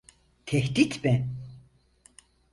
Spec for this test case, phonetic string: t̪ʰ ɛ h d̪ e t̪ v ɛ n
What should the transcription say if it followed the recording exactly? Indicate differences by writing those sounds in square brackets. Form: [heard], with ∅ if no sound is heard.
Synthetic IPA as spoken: t̪ʰ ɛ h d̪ [i] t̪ [b] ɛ n